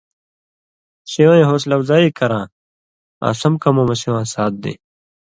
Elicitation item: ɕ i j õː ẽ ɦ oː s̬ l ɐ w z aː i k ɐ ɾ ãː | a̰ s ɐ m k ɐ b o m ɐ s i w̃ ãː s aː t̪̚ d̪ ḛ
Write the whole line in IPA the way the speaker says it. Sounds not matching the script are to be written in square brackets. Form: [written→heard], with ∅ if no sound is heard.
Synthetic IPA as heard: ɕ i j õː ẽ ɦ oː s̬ l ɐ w z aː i k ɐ ɾ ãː | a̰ s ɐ m k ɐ [b→m] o m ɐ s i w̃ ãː s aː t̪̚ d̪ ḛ